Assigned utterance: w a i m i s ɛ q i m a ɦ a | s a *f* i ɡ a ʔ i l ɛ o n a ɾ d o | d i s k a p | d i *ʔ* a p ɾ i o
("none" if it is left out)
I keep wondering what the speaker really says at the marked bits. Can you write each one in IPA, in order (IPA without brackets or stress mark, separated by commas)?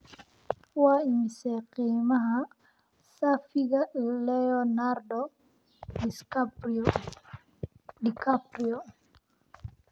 f, k